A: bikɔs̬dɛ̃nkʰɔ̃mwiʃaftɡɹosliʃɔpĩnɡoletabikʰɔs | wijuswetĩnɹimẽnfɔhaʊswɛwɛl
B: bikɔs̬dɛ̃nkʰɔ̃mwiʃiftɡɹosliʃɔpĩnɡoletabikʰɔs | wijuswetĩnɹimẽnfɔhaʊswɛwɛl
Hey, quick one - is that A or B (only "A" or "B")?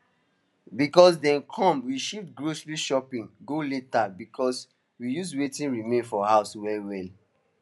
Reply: B